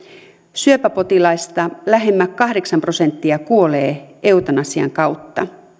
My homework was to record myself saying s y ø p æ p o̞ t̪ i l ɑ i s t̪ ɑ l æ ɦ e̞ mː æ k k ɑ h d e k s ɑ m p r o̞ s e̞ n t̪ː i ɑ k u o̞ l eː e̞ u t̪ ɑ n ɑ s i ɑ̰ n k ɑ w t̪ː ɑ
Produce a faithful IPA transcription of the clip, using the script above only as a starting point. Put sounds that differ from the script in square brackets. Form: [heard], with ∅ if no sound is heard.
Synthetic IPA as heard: s y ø p æ p o̞ t̪ i l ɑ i s t̪ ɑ l æ ɦ e̞ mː æ k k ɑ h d e k s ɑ m p r o̞ s e̞ n t̪ː i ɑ k u o̞ l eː e̞ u t̪ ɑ n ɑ s i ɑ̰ [ŋ] k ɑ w t̪ː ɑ